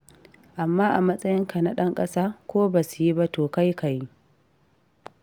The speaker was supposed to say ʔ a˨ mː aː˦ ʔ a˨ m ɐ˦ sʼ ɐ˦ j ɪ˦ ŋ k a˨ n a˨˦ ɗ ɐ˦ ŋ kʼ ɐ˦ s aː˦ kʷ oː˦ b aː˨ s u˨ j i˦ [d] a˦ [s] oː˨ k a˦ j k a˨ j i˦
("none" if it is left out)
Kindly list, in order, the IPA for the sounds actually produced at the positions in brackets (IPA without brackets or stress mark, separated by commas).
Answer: b, t